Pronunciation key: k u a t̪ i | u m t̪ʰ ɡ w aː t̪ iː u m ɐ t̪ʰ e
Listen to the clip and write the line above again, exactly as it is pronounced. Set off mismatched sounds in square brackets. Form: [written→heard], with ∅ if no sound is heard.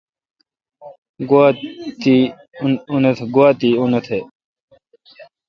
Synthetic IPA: [k→ɡ] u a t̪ i | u [m→n] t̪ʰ ɡ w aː t̪ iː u [m→n] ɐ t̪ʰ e

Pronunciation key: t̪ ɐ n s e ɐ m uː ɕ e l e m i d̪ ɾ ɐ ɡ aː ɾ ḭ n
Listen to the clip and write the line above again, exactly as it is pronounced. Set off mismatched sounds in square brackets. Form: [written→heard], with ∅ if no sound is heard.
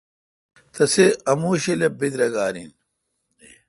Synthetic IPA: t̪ ɐ [n→∅] s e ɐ m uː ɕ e l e [m→b] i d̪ ɾ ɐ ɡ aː ɾ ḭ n

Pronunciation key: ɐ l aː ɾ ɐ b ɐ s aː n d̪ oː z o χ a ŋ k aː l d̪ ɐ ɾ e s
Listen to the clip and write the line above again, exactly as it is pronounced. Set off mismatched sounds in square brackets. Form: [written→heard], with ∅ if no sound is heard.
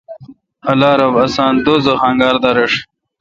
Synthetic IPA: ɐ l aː ɾ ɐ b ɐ s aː n d̪ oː z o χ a ŋ [k→ɡ] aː [l→ɾ] d̪ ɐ ɾ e [s→ʂ]

